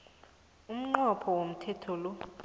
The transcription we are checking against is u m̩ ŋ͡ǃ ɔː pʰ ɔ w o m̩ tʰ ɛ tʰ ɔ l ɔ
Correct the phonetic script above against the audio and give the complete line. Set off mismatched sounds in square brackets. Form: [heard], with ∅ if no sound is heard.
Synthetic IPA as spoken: u m̩ ŋ͡ǃ [ɔ] pʰ ɔ w o m̩ tʰ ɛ tʰ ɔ l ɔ